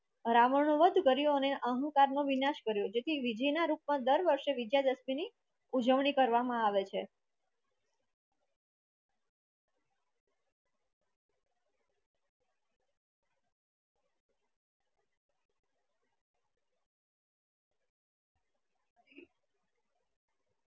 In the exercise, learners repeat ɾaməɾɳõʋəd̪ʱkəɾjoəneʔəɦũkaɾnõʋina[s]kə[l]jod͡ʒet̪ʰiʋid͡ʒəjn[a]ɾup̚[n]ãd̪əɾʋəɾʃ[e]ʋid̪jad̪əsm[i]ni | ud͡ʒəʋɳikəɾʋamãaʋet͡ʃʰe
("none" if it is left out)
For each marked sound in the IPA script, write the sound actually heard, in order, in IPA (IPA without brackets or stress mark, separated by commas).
ʃ, ɾ, a, m, e, i